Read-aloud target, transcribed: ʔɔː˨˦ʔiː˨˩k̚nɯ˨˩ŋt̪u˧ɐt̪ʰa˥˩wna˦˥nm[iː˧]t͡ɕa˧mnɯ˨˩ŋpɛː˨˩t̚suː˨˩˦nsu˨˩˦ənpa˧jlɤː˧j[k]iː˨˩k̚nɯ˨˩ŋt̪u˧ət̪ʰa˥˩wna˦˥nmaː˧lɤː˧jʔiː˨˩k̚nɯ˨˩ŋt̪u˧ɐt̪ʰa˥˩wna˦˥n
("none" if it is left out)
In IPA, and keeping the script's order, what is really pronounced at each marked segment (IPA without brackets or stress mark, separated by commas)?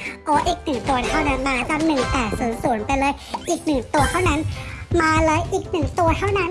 aː˧, ʔ